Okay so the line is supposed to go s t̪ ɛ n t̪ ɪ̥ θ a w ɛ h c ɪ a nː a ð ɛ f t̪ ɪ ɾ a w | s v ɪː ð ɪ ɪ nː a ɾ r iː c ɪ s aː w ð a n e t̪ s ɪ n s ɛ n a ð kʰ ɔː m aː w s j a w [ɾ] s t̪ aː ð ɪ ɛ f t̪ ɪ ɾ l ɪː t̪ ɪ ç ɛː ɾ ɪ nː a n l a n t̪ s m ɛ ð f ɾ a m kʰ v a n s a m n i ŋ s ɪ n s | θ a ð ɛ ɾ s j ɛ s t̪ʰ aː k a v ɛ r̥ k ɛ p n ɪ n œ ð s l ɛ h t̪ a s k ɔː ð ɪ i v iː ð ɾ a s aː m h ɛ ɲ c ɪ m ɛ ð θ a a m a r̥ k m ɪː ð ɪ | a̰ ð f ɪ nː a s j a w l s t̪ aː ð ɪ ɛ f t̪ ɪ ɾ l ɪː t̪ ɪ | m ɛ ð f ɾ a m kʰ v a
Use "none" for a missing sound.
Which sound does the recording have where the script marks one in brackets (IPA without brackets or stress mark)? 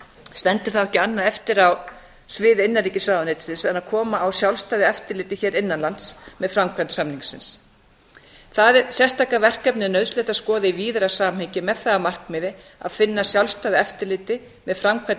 l